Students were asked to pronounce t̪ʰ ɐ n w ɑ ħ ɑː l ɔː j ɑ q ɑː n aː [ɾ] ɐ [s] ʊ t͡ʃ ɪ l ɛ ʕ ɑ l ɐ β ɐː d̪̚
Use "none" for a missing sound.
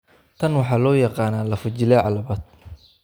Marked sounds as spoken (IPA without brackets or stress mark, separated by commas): l, f